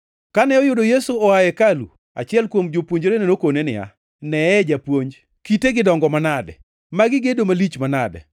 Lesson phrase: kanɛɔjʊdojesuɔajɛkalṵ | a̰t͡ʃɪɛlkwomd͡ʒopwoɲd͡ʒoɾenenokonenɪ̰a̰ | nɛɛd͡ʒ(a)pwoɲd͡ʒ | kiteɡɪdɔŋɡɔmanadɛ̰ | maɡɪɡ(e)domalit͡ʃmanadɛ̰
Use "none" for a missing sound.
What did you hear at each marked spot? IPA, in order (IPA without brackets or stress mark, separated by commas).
a, e